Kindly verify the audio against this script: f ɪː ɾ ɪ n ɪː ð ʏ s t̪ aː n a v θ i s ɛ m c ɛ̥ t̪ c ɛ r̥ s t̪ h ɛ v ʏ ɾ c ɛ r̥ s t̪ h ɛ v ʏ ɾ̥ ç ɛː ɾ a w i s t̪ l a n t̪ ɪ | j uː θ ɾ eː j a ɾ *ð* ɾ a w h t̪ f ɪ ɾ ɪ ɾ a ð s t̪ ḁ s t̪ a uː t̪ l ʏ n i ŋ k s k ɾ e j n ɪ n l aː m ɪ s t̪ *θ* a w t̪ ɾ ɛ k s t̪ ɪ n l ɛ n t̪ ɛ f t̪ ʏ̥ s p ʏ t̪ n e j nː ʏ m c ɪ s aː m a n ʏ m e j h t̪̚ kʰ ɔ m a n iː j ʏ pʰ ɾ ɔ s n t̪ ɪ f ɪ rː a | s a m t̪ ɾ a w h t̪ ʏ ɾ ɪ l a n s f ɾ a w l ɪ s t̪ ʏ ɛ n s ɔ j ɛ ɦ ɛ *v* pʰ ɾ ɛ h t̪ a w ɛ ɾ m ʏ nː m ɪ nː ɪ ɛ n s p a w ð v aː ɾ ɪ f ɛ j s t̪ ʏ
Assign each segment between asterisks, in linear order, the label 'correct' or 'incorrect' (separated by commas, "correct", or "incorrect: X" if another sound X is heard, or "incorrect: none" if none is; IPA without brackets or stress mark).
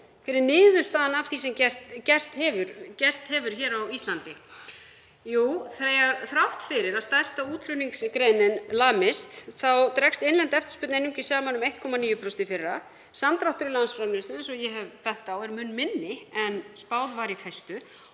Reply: incorrect: θ, correct, correct